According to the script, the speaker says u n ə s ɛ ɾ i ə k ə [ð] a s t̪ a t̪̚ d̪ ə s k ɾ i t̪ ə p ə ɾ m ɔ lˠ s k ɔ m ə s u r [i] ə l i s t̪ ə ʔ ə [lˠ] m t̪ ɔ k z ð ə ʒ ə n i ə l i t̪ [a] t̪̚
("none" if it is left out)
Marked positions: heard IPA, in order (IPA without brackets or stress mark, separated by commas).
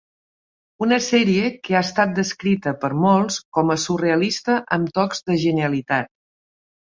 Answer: none, e, none, a